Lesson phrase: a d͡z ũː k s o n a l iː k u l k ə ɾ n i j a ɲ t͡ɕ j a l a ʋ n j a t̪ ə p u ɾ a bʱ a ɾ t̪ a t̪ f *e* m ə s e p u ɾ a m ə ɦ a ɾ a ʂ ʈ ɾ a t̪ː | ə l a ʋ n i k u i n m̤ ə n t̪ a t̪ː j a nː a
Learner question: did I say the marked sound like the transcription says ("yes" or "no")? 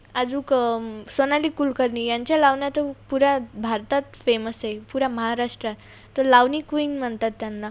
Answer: yes